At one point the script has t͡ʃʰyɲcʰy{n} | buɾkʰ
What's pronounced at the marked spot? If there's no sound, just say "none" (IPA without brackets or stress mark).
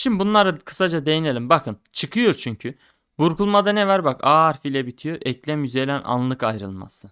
none